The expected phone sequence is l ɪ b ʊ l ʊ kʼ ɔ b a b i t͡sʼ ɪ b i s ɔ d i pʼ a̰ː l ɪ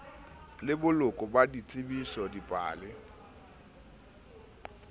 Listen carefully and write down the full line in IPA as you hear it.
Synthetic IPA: l ɪ b ʊ l ʊ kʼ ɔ b a d i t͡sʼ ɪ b i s ɔ d i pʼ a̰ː l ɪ